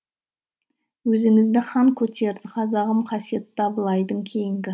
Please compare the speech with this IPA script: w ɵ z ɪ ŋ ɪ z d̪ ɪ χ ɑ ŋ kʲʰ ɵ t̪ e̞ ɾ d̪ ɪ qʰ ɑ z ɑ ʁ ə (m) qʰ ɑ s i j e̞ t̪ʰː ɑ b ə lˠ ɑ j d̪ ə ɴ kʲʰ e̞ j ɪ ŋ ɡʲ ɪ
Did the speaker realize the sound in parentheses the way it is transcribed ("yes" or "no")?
yes